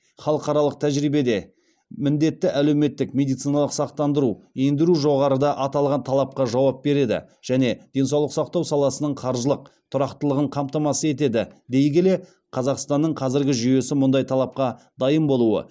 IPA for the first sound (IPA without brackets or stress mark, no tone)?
χ